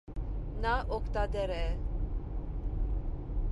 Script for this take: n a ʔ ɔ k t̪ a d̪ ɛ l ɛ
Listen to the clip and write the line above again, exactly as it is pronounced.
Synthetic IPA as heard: n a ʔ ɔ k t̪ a d̪ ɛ ɾ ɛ